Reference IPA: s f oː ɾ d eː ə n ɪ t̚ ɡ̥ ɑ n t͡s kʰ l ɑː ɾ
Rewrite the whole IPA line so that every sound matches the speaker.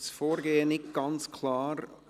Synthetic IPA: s f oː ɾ ɡ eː ə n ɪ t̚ ɡ̥ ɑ n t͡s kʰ l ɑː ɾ